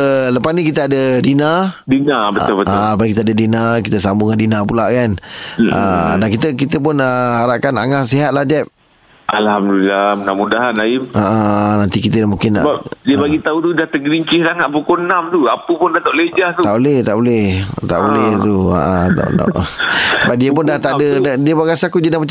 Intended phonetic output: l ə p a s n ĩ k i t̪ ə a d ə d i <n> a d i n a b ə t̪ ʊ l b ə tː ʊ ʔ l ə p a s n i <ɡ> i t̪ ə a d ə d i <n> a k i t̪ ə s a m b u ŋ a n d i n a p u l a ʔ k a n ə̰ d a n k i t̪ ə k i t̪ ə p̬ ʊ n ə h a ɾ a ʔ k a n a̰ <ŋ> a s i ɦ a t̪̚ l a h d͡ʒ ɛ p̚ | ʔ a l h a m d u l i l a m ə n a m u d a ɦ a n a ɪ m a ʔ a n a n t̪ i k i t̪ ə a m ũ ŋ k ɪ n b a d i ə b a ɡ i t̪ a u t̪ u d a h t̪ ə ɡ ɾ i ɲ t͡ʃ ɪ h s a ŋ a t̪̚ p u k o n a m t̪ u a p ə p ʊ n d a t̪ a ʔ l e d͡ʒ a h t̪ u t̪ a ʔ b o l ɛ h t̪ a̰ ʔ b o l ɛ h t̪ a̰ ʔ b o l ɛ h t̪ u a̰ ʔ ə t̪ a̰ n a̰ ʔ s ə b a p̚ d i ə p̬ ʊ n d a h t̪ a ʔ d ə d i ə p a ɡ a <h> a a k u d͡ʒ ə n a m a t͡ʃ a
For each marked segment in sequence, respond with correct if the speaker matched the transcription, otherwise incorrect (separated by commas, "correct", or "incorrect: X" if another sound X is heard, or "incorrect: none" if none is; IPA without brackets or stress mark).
correct, incorrect: k, correct, correct, incorrect: s